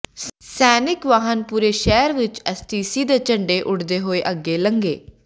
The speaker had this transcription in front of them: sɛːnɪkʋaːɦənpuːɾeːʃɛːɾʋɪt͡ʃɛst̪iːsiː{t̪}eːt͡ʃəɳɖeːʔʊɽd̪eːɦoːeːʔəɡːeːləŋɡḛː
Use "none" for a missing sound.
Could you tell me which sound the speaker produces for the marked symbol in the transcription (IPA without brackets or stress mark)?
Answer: d̪